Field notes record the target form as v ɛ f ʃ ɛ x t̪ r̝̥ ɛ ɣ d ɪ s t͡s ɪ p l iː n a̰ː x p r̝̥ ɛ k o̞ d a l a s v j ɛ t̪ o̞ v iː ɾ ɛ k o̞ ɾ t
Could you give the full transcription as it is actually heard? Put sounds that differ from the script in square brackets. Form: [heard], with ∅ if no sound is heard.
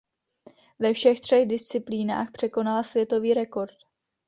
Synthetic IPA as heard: v ɛ f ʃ ɛ x t̪ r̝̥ ɛ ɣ d ɪ s t͡s ɪ p l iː n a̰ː x p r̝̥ ɛ k o̞ [n] a l a s v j ɛ t̪ o̞ v iː ɾ ɛ k o̞ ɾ t